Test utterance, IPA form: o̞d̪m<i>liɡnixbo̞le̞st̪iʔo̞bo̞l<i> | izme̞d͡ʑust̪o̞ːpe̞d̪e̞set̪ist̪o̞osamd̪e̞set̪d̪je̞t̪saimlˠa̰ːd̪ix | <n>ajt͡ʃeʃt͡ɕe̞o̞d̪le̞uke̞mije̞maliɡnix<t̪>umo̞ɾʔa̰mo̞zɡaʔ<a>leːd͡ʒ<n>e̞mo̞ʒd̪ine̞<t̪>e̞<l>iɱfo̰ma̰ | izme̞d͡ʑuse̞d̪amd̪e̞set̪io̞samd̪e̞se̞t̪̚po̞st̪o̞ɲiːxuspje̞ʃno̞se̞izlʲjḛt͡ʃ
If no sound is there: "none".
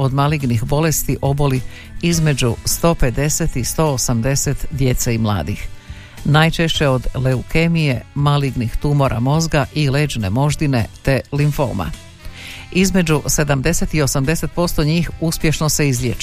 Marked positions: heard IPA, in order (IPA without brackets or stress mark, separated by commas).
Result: a, i, n, t̪, i, n, t̪, l